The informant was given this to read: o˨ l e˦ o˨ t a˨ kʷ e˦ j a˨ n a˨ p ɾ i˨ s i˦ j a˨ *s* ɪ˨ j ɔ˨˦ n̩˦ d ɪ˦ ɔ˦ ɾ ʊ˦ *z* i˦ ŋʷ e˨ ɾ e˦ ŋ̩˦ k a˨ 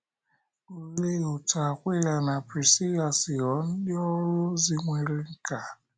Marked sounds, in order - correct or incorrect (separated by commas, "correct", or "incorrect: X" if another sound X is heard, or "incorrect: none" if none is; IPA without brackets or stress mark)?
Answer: correct, correct